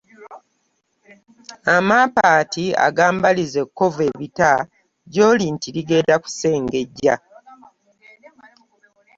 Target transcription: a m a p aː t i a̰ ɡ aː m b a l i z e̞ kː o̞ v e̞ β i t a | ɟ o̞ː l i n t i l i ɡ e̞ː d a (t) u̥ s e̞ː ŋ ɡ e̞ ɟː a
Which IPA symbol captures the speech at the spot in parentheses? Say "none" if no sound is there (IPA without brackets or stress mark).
k